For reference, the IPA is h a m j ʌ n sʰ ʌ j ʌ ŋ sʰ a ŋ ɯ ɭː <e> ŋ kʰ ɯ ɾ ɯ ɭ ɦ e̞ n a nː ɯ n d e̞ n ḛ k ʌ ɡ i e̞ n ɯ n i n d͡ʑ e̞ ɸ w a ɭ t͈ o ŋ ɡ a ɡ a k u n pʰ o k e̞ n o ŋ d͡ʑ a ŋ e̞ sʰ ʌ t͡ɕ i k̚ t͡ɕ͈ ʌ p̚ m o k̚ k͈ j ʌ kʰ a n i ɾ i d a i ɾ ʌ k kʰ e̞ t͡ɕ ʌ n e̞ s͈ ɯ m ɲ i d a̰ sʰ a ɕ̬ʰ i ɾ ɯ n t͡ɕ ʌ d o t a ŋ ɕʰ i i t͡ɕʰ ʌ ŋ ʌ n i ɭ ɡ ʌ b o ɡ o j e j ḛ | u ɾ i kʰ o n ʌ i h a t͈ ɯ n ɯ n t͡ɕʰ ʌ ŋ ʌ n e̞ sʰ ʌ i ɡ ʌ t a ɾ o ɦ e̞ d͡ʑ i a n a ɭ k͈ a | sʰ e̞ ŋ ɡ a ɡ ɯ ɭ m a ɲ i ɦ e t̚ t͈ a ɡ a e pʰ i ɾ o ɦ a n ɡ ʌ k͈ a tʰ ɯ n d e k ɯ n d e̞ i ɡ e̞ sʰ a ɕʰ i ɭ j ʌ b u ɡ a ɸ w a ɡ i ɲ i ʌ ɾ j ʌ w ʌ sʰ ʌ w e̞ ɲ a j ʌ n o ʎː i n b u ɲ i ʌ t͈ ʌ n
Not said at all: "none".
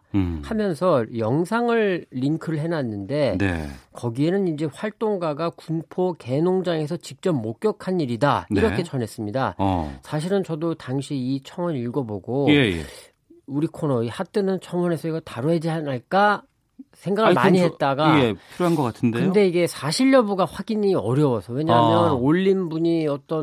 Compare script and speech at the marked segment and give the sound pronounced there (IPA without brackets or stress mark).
i